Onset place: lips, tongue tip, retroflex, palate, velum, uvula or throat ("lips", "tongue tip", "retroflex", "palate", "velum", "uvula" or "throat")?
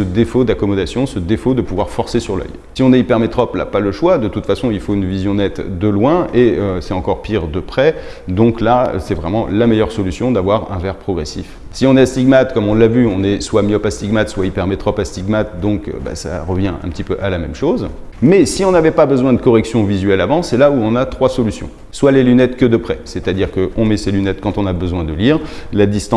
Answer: tongue tip